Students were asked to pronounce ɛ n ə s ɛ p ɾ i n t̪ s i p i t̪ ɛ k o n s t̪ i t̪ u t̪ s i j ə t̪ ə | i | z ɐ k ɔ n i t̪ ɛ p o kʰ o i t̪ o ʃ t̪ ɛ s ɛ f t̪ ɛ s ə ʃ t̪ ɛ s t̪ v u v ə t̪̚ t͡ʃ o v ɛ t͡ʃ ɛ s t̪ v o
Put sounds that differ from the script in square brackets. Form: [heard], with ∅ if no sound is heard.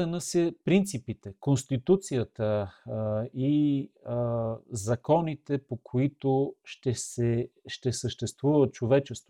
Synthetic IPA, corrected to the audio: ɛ n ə s ɛ p ɾ i n t̪ s i p i t̪ ɛ k o n s t̪ i t̪ u t̪ s i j ə t̪ ə | i | z ɐ k ɔ n i t̪ ɛ p o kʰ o i t̪ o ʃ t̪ ɛ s ɛ [ʃ] t̪ ɛ s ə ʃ t̪ ɛ s t̪ v u v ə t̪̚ t͡ʃ o v ɛ t͡ʃ ɛ s t̪ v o